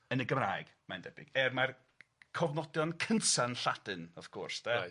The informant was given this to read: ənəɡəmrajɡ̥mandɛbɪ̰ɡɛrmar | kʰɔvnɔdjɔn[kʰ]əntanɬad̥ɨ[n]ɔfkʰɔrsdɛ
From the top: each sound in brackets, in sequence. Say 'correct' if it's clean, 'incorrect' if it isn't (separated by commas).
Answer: correct, correct